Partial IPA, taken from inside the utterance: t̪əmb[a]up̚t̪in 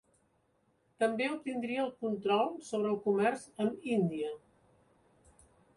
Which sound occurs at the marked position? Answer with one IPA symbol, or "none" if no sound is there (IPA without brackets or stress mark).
e